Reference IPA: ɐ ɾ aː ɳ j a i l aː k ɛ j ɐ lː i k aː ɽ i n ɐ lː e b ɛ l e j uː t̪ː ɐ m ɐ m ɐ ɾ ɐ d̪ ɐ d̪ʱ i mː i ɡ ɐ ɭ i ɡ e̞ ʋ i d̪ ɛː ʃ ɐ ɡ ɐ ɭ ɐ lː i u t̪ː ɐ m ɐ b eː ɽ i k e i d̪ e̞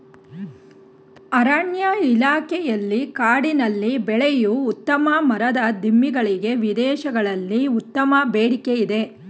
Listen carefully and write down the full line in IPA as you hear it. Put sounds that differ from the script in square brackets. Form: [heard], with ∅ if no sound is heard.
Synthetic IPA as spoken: ɐ ɾ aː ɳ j a i l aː k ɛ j ɐ lː i k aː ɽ i n ɐ lː [i] b ɛ [ɭ] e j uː t̪ː ɐ m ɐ m ɐ ɾ ɐ d̪ ɐ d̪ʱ i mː i ɡ ɐ ɭ i ɡ e̞ ʋ i d̪ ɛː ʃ ɐ ɡ ɐ ɭ ɐ lː i u t̪ː ɐ m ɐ b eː ɽ i k e i d̪ e̞

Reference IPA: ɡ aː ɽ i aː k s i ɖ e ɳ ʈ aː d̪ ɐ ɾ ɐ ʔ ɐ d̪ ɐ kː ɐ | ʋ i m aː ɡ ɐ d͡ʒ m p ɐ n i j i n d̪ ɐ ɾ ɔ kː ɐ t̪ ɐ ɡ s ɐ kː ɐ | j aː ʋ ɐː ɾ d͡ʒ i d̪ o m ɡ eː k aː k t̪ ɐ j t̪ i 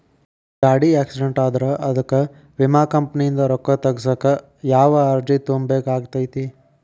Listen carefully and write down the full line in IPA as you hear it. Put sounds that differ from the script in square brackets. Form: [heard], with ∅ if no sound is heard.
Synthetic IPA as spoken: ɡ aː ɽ i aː k s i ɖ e ɳ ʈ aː d̪ ɐ ɾ ɐ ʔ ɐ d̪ ɐ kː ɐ | ʋ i m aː [k] ɐ [∅] m p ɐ n i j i n d̪ ɐ ɾ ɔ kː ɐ t̪ ɐ ɡ s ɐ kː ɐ | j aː ʋ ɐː ɾ d͡ʒ i [t̪] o m [b] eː k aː [ɡ] t̪ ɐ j t̪ i

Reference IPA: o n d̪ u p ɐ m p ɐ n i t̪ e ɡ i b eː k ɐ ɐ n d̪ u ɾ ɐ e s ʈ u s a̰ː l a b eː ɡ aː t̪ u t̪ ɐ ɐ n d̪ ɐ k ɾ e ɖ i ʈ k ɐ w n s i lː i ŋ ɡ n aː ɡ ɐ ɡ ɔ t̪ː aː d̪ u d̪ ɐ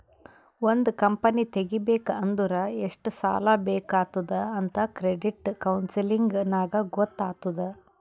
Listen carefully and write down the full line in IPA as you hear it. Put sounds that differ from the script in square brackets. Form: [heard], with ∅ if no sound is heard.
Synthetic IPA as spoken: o n d̪ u [k] ɐ m p ɐ n i t̪ e ɡ i b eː k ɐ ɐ n d̪ u ɾ ɐ e [ʂ] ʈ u s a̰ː l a b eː [k] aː t̪ u [d̪] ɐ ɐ n [t̪] ɐ k ɾ e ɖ i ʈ k ɐ w n s i [l] i ŋ ɡ n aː ɡ ɐ ɡ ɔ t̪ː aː [t̪] u d̪ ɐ

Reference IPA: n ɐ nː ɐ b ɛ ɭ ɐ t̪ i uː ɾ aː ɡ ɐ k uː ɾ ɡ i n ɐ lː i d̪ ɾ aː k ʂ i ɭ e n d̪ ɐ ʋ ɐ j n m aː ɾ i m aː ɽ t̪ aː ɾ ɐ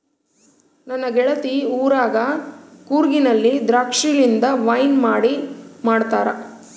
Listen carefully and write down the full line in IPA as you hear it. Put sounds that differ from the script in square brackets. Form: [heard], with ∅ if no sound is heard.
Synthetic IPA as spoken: n ɐ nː ɐ [ɡ] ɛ ɭ ɐ t̪ i uː ɾ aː ɡ ɐ k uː ɾ ɡ i n ɐ lː i d̪ ɾ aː k ʂ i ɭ [i] n d̪ ɐ ʋ ɐ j n m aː [ɽ] i m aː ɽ t̪ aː ɾ ɐ

